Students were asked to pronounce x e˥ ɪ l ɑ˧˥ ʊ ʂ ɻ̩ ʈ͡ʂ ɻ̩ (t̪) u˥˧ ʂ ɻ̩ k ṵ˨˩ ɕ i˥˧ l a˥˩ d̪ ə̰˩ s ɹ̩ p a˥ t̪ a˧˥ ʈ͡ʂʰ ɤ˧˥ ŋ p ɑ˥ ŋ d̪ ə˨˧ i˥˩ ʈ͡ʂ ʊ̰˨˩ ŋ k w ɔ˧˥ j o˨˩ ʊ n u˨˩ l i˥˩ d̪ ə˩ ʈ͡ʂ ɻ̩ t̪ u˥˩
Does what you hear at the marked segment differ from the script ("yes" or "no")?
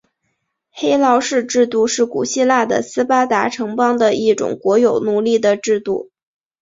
no